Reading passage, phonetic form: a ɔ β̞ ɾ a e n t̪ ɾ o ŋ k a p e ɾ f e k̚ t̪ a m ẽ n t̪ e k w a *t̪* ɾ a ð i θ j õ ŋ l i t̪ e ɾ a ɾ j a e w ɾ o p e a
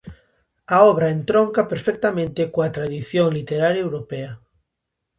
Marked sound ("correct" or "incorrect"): correct